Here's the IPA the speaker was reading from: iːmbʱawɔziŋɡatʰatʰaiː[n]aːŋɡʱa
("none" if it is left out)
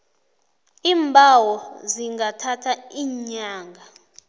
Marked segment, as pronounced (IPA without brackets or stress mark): ɲ